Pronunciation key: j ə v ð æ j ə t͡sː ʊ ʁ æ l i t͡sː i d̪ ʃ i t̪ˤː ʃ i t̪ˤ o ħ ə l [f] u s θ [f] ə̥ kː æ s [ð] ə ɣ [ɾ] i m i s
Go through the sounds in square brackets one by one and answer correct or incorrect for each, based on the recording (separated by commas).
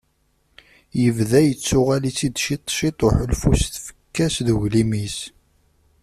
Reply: correct, correct, correct, incorrect